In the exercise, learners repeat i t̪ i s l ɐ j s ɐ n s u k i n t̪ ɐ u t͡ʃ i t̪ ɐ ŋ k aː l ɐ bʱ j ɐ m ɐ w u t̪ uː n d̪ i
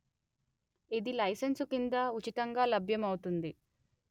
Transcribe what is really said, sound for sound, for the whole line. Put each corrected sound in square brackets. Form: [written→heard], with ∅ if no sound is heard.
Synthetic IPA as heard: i [t̪→d̪] i [s→∅] l ɐ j s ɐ n s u k i n [t̪→d̪] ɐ u t͡ʃ i t̪ ɐ ŋ [k→ɡ] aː l ɐ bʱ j ɐ m ɐ w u t̪ [uː→u] n d̪ i

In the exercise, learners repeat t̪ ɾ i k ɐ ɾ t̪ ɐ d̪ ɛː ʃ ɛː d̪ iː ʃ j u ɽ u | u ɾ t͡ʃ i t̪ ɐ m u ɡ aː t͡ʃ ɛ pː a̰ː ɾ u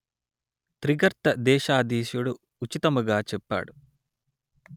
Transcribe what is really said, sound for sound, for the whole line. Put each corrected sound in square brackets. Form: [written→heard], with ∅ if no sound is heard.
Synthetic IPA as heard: t̪ ɾ i [k→ɡ] ɐ ɾ t̪ ɐ d̪ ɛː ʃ [ɛː→aː] d̪ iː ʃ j u ɽ u | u [ɾ→∅] t͡ʃ i t̪ ɐ m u ɡ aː t͡ʃ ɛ pː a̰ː [ɾ→ɽ] u

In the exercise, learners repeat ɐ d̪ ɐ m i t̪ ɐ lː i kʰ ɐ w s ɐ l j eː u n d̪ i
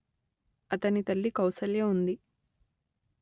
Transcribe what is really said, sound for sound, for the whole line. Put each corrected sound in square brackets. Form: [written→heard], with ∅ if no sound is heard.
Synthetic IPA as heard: ɐ [d̪→t̪] ɐ [m→n] i t̪ ɐ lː i [kʰ→k] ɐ w s ɐ l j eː u n d̪ i

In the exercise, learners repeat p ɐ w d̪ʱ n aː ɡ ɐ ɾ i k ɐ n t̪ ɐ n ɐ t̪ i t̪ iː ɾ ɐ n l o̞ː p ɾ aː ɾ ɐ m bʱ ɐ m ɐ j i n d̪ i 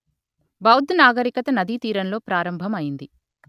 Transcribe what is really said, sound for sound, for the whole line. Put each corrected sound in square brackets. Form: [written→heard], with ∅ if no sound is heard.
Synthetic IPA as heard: [p→b] ɐ w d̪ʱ n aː ɡ ɐ ɾ i k ɐ [n→∅] t̪ ɐ n ɐ [t̪→d̪] i t̪ iː ɾ ɐ n l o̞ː p ɾ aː ɾ ɐ m bʱ ɐ m ɐ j i n d̪ i

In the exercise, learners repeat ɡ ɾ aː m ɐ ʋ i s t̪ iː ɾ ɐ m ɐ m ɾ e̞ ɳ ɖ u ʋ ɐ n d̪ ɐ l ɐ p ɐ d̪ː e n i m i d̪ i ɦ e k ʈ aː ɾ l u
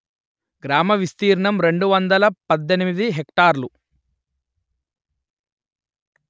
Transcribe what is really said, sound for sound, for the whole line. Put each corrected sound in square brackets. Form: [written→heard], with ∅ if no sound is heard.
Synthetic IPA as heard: ɡ ɾ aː m ɐ ʋ i s t̪ iː ɾ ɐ [m→ɳ] ɐ m ɾ e̞ ɳ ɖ u ʋ ɐ n d̪ ɐ l ɐ p ɐ d̪ː e n i m i d̪ i ɦ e k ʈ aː ɾ l u

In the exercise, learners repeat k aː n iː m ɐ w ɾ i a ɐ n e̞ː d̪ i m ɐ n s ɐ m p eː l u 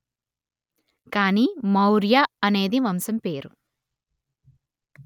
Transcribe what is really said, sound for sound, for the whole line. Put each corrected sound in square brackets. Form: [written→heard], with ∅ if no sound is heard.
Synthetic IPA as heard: k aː n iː m ɐ w ɾ [i→j] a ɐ n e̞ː d̪ i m ɐ [n→m] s ɐ m p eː [l→ɾ] u

